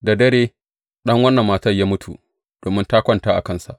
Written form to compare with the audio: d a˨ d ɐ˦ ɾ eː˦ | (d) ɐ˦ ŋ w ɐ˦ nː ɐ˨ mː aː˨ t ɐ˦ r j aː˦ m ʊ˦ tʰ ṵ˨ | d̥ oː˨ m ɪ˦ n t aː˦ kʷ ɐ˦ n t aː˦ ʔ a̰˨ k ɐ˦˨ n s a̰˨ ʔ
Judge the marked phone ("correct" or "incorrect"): incorrect